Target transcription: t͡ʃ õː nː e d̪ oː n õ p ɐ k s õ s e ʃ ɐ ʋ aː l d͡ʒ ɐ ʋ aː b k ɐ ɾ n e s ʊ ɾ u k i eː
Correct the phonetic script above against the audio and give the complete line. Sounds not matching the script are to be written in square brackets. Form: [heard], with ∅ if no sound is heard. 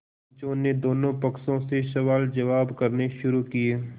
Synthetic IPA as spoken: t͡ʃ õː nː e d̪ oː n õ p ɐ k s õ s e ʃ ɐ ʋ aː l d͡ʒ ɐ ʋ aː b k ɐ ɾ n e [ʃ] ʊ ɾ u k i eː

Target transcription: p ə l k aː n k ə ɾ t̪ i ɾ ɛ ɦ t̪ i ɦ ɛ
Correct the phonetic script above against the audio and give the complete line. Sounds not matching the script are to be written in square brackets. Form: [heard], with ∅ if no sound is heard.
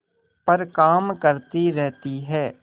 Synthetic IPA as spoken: p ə [ɾ] k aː [m] k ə ɾ t̪ i ɾ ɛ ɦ t̪ i ɦ [ɛː]

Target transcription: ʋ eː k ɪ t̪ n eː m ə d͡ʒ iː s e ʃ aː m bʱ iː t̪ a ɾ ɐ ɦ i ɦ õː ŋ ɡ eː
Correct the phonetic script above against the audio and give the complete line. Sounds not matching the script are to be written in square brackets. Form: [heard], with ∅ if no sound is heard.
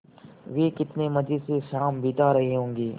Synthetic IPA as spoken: ʋ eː k ɪ t̪ n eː m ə d͡ʒ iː s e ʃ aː m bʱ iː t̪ a ɾ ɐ ɦ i ɦ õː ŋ ɡ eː

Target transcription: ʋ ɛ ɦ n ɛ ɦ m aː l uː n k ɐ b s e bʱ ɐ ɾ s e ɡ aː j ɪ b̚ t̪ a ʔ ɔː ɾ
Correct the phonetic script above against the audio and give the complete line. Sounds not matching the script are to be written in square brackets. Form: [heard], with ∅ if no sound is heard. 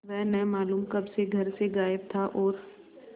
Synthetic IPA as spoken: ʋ ɛ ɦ n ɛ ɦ m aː l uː [m] k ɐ b s e [ɡʱ] ɐ ɾ s e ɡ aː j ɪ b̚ [t̪ʰ] a ʔ ɔː ɾ

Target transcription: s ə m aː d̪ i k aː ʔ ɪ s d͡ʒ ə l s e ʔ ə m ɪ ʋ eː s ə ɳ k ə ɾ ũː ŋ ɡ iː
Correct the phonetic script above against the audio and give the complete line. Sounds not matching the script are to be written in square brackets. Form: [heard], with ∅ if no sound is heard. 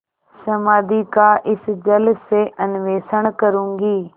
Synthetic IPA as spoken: s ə m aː d̪ i k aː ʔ ɪ s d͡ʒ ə l s e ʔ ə [n] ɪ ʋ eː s ə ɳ k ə ɾ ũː ŋ ɡ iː

